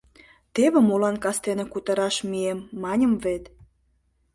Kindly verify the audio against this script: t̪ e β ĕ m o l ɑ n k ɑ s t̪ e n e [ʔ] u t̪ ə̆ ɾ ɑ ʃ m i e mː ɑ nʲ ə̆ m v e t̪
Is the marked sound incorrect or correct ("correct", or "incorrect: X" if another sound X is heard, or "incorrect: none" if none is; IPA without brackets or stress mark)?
incorrect: k